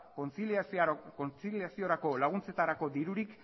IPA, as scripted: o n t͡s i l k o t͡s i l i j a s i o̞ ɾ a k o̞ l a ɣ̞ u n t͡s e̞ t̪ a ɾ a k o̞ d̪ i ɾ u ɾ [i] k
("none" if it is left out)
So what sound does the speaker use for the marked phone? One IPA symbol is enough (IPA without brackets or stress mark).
i